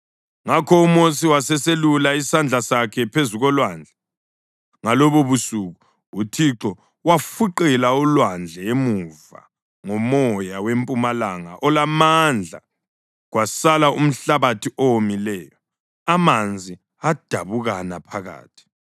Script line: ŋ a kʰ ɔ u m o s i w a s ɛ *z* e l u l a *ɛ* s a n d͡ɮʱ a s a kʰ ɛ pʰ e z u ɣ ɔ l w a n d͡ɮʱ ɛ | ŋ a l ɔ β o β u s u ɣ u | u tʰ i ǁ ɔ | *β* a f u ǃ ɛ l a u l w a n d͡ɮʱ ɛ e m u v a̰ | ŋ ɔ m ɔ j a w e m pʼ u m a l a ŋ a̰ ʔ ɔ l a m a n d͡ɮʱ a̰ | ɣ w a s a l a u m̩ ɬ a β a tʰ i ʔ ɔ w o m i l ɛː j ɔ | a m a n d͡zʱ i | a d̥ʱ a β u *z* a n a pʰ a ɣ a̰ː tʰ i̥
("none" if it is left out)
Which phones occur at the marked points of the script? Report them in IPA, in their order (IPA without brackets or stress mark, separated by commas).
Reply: s, i, w, ɣ